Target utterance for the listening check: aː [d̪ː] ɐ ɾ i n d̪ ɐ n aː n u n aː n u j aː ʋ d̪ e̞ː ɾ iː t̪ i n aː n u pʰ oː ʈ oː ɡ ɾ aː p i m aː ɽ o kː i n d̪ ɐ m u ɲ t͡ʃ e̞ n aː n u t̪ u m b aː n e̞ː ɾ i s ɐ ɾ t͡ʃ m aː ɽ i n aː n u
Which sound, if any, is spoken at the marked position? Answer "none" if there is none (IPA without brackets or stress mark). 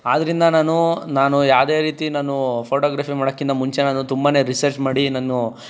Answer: d̪